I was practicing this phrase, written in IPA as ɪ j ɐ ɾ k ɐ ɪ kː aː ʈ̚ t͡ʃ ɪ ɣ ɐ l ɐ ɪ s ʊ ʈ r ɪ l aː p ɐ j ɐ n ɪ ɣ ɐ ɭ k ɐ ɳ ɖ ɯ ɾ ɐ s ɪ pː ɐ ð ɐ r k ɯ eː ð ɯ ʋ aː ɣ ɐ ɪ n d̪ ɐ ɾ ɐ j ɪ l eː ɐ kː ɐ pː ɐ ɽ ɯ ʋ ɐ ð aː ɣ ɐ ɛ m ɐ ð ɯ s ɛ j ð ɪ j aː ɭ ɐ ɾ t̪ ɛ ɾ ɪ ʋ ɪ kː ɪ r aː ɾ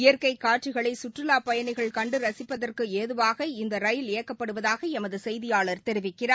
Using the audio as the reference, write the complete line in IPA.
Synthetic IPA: ɪ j ɐ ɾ k ɐ ɪ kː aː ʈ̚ t͡ʃ ɪ ɣ ɐ ɭ ɐ ɪ s ʊ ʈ r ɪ l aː p ɐ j ɐ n ɪ ɣ ɐ ɭ k ɐ ɳ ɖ ɯ ɾ ɐ s ɪ pː ɐ ð ɐ r k ɯ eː ð ɯ ʋ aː ɣ ɐ ɪ n d̪ ɐ ɾ ɐ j ɪ l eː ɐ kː ɐ pː ɐ ɽ ɯ ʋ ɐ ð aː ɣ ɐ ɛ m ɐ ð ɯ s ɛ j ð ɪ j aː ɭ ɐ ɾ t̪ ɛ ɾ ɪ ʋ ɪ kː ɪ r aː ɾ